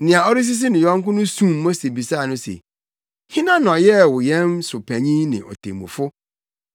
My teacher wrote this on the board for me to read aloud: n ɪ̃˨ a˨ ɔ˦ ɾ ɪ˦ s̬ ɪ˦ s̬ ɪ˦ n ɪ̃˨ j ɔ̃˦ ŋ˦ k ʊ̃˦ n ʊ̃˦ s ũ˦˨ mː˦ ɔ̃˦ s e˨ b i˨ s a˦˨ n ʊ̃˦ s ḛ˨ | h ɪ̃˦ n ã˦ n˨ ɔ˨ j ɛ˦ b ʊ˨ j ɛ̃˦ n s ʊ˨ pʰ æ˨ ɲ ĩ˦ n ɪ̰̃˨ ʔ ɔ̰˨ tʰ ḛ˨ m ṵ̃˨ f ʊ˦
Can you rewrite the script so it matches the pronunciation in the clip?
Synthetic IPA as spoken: n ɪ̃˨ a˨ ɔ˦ ɾ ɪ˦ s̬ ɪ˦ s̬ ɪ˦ n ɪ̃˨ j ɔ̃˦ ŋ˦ k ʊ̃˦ n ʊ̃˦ s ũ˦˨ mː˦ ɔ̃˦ s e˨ b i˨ s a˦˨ n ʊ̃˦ s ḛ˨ | h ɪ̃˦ n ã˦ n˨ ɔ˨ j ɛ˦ w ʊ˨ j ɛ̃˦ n s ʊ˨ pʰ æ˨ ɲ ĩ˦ n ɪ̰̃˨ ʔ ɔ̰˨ tʰ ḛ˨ m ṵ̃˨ f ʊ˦